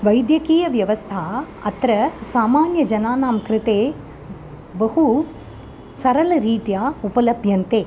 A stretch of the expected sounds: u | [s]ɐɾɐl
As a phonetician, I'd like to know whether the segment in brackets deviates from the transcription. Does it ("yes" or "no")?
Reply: no